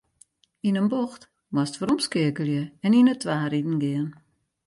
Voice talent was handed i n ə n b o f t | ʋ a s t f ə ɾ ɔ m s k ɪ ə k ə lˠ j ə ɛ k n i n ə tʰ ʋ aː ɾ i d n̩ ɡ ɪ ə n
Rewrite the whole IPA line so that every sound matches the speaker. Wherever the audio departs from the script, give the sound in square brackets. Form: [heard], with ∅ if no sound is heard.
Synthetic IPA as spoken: i n ə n b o [x] t | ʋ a s t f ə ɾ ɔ m s k ɪ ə k ə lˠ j ə ɛ [∅] n i n ə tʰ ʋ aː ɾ i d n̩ ɡ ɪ ə n